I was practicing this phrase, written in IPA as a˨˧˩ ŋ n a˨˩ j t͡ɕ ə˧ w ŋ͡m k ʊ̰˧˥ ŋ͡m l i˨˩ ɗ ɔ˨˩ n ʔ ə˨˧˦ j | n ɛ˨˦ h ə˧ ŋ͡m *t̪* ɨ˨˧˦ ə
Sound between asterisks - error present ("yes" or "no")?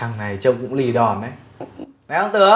no